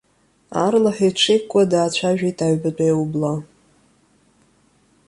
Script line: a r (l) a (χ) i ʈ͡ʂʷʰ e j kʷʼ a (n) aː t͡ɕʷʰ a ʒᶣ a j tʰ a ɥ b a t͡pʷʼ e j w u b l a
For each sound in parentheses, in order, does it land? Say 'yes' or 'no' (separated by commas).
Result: yes, no, no